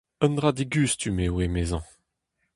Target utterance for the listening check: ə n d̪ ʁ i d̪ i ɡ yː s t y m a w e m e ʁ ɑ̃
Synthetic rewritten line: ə n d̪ ʁ a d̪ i ɡ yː s t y m e w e m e z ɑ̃